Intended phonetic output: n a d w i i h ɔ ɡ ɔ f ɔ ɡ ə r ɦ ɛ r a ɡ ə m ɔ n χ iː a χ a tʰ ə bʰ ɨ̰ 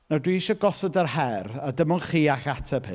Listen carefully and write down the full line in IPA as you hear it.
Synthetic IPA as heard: n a d w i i ʃ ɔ ɡ ɔ s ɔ d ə r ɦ ɛ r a d ə m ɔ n χ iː a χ a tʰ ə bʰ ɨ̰